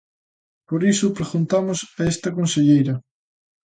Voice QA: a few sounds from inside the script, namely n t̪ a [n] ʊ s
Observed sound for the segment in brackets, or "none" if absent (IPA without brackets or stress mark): m